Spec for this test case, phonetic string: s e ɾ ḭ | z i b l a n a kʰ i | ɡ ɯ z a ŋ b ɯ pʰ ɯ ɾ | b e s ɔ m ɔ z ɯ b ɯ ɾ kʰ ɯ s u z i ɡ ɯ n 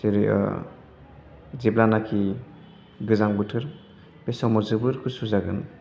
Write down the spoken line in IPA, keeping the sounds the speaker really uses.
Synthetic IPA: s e ɾ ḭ | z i b l a n a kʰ i | ɡ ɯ z a ŋ b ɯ tʰ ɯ ɾ | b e s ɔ m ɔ z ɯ b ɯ ɾ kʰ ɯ s u z a ɡ ɯ n